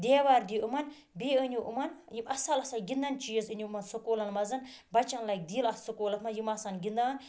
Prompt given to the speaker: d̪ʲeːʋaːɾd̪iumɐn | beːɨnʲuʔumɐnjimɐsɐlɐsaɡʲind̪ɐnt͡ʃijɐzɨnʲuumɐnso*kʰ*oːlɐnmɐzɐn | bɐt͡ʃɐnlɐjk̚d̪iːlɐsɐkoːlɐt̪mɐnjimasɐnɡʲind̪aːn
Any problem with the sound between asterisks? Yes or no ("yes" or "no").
yes